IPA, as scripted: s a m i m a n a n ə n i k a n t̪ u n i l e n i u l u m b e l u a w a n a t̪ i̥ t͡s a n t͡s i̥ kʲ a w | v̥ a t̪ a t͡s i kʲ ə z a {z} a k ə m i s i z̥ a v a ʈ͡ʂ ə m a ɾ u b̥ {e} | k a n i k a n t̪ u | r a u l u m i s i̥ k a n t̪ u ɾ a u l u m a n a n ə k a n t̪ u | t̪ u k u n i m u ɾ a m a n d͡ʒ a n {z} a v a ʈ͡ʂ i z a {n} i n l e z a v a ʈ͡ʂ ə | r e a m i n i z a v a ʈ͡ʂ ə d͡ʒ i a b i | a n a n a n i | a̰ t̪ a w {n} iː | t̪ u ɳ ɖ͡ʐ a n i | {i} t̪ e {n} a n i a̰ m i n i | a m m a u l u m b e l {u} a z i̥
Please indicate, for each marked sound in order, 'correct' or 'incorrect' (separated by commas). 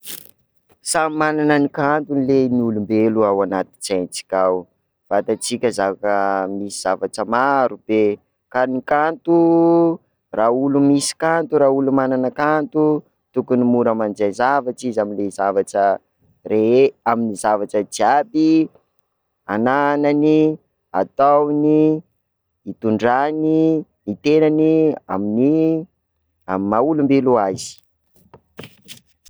incorrect, correct, correct, incorrect, correct, correct, correct, correct